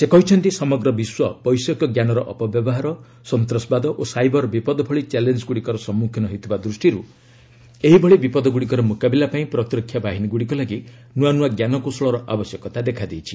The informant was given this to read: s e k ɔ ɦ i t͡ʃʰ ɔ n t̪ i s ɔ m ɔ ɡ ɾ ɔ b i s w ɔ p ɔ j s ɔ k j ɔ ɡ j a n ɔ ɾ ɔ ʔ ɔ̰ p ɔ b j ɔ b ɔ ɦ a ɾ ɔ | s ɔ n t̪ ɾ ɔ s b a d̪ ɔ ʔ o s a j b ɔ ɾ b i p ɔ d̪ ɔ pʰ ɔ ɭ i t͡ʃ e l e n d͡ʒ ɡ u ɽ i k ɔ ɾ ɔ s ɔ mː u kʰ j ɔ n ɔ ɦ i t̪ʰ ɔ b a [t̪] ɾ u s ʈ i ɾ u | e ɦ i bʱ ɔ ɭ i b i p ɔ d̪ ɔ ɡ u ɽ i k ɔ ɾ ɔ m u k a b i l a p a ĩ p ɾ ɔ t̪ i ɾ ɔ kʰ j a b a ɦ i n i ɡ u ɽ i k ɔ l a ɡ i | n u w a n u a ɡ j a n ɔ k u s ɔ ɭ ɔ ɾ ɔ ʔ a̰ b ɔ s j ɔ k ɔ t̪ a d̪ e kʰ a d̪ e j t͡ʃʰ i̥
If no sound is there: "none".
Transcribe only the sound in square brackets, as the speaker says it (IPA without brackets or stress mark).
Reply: d̪